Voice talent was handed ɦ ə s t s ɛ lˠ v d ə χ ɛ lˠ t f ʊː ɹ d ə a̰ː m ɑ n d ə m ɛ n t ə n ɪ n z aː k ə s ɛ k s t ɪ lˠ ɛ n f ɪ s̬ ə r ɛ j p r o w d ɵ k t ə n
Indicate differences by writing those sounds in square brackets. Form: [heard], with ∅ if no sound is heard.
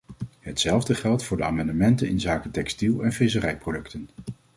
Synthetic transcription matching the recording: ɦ ə [∅] t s ɛ lˠ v d ə χ ɛ lˠ t f ʊː ɹ d ə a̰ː m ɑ n d ə m ɛ n t ə n ɪ n z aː k ə [t] ɛ k s t [i] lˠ ɛ n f ɪ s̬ ə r ɛ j p r o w d ɵ k t ə n